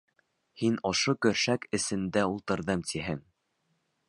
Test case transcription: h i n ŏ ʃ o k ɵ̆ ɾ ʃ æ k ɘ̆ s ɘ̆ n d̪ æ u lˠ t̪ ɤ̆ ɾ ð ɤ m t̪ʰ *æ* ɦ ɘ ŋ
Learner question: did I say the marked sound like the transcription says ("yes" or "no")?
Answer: no